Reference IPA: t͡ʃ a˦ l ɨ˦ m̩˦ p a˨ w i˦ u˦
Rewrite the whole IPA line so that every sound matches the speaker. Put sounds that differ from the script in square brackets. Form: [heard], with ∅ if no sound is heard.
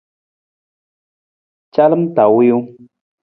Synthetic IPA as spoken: t͡ʃ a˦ l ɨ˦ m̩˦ [t] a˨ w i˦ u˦